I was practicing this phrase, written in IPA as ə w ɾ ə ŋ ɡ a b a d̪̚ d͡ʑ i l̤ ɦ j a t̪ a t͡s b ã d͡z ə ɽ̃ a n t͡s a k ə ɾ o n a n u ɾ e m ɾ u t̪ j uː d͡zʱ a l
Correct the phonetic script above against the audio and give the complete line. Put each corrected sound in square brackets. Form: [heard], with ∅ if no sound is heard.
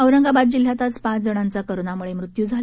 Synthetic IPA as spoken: ə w ɾ ə ŋ ɡ a b a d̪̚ d͡ʑ i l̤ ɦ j a t̪ a t͡s [p] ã d͡z ə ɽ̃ a n t͡s a k ə ɾ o n a [m] u [ɭ] e m ɾ u t̪ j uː d͡zʱ a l

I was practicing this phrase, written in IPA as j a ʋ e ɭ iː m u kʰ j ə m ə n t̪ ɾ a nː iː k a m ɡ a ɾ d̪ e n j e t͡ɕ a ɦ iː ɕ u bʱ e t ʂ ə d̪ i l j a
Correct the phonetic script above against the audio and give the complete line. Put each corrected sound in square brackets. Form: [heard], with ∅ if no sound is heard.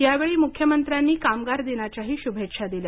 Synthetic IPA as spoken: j a ʋ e ɭ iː m u kʰ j ə m ə n t̪ ɾ a nː iː k a m ɡ a ɾ d̪ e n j [a] t͡ɕ a ɦ iː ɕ u bʱ e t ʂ [a] d̪ i l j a

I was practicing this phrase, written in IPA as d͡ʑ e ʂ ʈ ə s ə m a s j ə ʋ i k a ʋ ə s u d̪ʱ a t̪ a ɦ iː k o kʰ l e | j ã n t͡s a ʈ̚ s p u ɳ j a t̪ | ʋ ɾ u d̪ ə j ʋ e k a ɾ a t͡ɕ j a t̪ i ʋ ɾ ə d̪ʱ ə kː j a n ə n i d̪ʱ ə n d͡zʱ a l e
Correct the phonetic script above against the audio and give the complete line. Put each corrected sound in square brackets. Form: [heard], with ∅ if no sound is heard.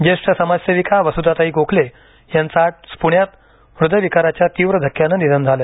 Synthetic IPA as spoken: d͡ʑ e ʂ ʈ ə s ə m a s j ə ʋ i k a ʋ ə s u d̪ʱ a t̪ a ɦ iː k o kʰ l e | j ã n t͡s a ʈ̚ s p u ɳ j a t̪ | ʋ ɾ u d̪ ə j ʋ [i] k a ɾ a t͡ɕ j a t̪ i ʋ ɾ ə d̪ʱ ə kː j a n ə n i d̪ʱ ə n d͡zʱ a l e

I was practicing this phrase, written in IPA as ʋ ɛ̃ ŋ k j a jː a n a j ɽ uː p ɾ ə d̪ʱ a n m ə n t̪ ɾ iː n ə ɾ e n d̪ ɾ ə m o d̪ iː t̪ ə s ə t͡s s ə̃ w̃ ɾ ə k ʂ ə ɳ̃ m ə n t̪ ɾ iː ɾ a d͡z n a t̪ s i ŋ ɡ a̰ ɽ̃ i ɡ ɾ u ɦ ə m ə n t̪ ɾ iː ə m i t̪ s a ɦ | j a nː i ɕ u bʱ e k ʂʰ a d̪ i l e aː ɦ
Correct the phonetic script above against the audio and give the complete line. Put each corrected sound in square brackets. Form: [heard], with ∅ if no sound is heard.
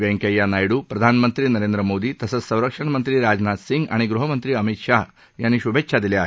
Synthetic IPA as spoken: ʋ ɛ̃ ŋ k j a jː a n a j ɽ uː p ɾ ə d̪ʱ a n m ə n t̪ ɾ iː n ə ɾ e n d̪ ɾ ə m o d̪ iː t̪ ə s ə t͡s s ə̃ w̃ ɾ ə k ʂ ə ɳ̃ m ə n t̪ ɾ iː ɾ a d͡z n a t̪ s i ŋ ɡ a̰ ɽ̃ i ɡ ɾ u ɦ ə m ə n t̪ ɾ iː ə m i t̪ [ʂ] a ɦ | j a nː i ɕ u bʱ e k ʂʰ a d̪ i l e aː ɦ

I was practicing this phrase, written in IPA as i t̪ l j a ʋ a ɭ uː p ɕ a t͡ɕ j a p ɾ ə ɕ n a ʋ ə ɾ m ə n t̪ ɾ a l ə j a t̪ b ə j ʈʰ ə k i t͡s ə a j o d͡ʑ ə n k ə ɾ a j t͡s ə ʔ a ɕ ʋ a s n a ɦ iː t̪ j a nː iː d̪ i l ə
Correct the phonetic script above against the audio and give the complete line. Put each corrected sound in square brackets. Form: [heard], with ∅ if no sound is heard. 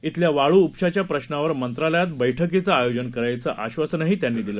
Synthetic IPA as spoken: i t̪ l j a ʋ a ɭ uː p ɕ a t͡ɕ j a p ɾ ə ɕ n a ʋ ə ɾ m ə n t̪ ɾ a l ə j a t̪ b ə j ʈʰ ə k i t͡s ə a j o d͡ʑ ə n k ə ɾ a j t͡s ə ʔ a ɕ ʋ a s n a ɦ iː t̪ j a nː iː d̪ i l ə

